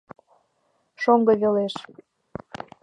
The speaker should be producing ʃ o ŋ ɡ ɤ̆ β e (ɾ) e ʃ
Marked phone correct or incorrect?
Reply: incorrect